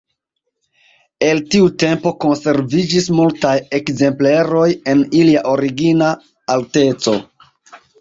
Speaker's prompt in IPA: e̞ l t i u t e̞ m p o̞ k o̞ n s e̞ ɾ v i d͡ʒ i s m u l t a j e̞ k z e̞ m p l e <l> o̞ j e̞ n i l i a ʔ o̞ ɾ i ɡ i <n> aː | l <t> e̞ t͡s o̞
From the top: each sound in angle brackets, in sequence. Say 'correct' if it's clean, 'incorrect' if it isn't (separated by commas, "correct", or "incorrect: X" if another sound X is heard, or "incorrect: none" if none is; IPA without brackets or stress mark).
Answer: incorrect: ɾ, correct, correct